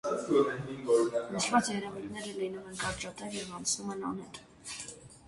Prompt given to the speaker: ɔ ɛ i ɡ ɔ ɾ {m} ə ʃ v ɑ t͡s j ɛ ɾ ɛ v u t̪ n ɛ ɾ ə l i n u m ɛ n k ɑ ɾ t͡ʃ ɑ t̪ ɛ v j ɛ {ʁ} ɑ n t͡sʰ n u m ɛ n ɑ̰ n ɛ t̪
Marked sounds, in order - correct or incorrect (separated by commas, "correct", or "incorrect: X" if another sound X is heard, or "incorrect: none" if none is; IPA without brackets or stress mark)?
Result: incorrect: n, incorrect: v